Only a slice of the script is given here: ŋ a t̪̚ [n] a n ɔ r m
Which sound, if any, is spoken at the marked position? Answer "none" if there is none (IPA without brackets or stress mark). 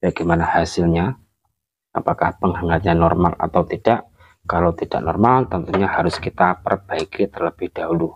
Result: ɲ